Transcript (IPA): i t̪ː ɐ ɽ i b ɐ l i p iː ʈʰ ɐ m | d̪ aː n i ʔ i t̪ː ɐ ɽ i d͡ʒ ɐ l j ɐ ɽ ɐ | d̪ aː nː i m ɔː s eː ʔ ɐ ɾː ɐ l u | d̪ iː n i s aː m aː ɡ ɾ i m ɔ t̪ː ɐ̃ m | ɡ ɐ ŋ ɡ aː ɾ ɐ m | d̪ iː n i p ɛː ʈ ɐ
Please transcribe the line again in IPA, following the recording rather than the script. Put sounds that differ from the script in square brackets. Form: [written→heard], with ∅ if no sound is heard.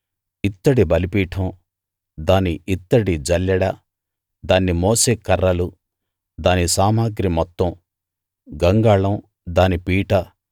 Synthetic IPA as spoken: i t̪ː ɐ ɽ i b ɐ l i p iː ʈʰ ɐ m | d̪ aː n i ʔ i t̪ː ɐ ɽ i d͡ʒ ɐ l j ɐ ɽ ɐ | d̪ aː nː i m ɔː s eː [ʔ→k] ɐ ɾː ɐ l u | d̪ [iː→aː] n i s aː m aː ɡ ɾ i m ɔ t̪ː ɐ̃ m | ɡ ɐ ŋ ɡ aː [ɾ→ɭ] ɐ m | d̪ [iː→aː] n i p [ɛː→iː] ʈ ɐ